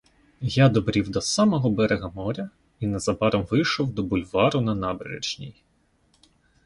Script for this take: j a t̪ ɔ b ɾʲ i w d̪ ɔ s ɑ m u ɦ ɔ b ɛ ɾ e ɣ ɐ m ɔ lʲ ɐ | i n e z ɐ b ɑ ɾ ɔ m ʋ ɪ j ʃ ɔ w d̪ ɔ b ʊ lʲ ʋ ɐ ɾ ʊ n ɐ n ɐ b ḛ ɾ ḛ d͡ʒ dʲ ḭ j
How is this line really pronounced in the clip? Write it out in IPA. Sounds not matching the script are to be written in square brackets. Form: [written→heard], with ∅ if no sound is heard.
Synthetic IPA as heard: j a [t̪→d̪] ɔ b ɾʲ i w d̪ ɔ s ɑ m [u→ɔ] ɦ ɔ b ɛ ɾ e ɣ ɐ m ɔ [lʲ→ɾʲ] ɐ | i n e z ɐ b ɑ ɾ ɔ m ʋ ɪ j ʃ ɔ w d̪ ɔ b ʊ lʲ ʋ [ɐ→ɑ] ɾ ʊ n ɐ n [ɐ→ɑ] b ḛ ɾ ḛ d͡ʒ [dʲ→nʲ] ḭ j

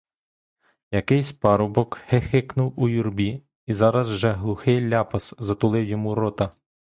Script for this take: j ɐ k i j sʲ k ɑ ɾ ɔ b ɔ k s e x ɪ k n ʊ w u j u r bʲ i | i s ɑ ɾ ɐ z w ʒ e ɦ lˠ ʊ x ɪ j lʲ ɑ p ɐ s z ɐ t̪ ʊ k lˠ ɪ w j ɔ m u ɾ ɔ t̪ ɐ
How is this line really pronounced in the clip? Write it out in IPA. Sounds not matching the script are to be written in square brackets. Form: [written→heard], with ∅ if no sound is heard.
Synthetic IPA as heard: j ɐ k [i→ɪ] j sʲ [k→p] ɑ ɾ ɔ b ɔ k [s→h] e x ɪ k n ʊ w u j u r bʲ i | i [s→z] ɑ ɾ ɐ z w ʒ [e→ɛ] ɦ lˠ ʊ x ɪ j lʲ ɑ p ɐ s z ɐ t̪ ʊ [k→∅] lˠ ɪ w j ɔ m u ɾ ɔ t̪ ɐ

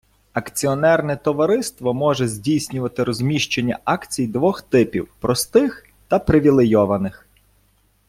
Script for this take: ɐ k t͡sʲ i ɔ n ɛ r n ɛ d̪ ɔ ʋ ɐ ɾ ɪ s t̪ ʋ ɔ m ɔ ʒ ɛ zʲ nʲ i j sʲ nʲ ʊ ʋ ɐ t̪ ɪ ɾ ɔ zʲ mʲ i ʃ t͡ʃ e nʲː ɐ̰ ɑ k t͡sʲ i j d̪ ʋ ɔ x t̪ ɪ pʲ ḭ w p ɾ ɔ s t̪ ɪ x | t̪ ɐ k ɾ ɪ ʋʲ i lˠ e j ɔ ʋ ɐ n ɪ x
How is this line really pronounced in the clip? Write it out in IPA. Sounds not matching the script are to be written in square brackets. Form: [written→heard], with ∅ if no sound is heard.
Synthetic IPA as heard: ɐ k t͡sʲ i ɔ n ɛ r n ɛ [d̪→t̪] ɔ ʋ ɐ ɾ ɪ s t̪ ʋ ɔ m ɔ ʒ ɛ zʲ [nʲ→dʲ] i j sʲ nʲ ʊ ʋ ɐ t̪ ɪ ɾ ɔ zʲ mʲ i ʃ t͡ʃ e nʲː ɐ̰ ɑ k t͡sʲ i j d̪ ʋ ɔ x t̪ ɪ pʲ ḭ w p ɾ ɔ s t̪ ɪ x | t̪ ɐ [k→p] ɾ ɪ ʋʲ i lˠ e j ɔ ʋ ɐ n ɪ x

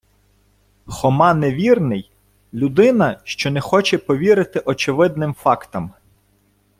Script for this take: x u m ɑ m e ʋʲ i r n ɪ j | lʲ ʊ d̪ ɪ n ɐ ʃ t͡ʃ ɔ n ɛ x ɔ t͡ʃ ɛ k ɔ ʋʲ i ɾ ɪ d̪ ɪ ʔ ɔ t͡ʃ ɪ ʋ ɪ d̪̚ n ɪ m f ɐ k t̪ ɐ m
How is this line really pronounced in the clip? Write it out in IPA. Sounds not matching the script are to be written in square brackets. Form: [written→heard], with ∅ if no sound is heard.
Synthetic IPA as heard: x [u→ɔ] m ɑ [m→n] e ʋʲ i r n ɪ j | lʲ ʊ d̪ ɪ n ɐ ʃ t͡ʃ ɔ n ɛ x ɔ t͡ʃ ɛ [k→p] ɔ ʋʲ i ɾ ɪ [d̪→t̪] ɪ ʔ ɔ t͡ʃ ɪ ʋ ɪ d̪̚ n ɪ m f [ɐ→ɑ] k t̪ ɐ m

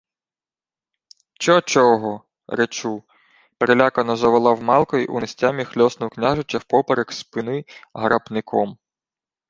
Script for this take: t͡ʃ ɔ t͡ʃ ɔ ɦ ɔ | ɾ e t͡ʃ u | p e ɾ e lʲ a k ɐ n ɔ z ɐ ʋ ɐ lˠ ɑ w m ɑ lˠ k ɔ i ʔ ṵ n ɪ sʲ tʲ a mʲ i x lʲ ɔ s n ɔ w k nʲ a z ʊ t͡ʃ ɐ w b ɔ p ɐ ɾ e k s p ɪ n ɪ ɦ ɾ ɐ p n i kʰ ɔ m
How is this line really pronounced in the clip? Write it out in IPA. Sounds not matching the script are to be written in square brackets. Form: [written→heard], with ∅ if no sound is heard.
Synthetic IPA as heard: t͡ʃ ɔ t͡ʃ ɔ ɦ ɔ | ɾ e t͡ʃ u | p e ɾ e lʲ a k ɐ n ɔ z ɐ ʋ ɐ lˠ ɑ w m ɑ lˠ k ɔ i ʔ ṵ n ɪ sʲ tʲ a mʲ i x lʲ ɔ s n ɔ w k nʲ a [z→ʒ] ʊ t͡ʃ ɐ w [b→p] ɔ p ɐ ɾ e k s p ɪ n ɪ ɦ ɾ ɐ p n [i→ɪ] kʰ ɔ m

